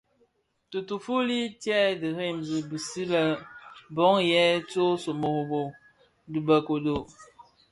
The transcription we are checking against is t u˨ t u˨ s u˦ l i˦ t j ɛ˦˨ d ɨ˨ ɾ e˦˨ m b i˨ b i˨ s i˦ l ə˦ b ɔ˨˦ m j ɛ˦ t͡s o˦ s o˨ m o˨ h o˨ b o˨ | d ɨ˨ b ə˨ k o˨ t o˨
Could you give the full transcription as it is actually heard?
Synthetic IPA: t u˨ t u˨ f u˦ l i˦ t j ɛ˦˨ d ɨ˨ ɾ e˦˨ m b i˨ b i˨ s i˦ l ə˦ b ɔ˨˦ ŋ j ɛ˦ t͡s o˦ s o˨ m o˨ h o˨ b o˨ | d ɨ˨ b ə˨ k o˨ d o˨